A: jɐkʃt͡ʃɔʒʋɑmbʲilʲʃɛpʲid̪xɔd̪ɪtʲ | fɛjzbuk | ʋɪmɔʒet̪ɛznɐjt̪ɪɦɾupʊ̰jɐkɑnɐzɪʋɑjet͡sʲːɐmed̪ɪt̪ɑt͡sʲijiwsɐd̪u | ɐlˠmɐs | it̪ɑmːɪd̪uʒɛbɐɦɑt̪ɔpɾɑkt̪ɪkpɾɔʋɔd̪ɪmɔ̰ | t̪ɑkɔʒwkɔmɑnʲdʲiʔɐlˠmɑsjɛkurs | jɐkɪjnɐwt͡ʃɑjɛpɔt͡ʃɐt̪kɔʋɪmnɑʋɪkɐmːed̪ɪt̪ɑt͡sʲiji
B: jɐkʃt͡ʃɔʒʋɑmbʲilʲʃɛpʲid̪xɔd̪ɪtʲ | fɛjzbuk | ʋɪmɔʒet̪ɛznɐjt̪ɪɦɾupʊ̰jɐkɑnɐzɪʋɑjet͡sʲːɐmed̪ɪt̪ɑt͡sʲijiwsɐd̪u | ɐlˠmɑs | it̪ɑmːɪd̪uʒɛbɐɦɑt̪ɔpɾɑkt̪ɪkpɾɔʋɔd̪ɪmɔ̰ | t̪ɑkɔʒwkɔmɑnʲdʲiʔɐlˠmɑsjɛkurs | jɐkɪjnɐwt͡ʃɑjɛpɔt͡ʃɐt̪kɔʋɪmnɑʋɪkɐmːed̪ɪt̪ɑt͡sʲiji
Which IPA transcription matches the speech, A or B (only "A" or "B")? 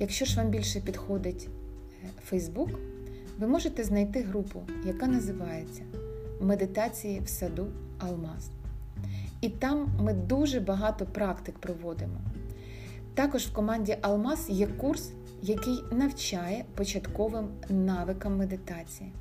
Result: B